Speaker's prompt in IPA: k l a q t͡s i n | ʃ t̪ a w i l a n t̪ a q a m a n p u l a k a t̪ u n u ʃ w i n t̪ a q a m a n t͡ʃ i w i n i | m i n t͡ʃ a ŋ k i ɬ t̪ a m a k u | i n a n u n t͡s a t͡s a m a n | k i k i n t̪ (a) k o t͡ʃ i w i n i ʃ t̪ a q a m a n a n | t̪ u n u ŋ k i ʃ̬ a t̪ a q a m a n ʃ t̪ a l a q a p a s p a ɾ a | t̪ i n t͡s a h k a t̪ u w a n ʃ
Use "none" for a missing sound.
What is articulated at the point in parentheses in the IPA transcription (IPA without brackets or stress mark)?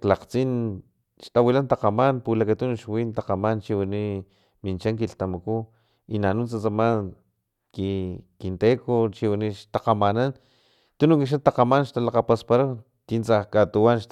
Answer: e